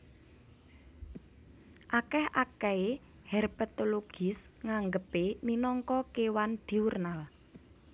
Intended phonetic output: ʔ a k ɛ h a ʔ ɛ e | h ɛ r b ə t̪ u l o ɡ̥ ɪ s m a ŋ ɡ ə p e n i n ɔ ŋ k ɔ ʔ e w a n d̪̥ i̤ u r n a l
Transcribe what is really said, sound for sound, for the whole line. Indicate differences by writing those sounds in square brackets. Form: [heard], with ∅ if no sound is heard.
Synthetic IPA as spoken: ʔ a k ɛ h a [k] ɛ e | h ɛ r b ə t̪ [o] l o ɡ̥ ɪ s [ŋ] a ŋ ɡ ə p e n i n ɔ ŋ k ɔ [k] e w a n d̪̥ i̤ u r n a l